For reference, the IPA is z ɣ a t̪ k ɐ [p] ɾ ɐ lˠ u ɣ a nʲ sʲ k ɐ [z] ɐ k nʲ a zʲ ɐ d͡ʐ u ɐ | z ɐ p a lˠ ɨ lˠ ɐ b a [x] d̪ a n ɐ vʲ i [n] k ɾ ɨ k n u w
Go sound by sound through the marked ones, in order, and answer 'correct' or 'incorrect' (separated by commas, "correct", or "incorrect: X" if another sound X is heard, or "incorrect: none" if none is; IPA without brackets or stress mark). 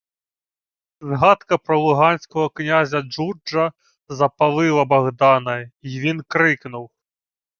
correct, incorrect: ɣ, incorrect: ɣ, correct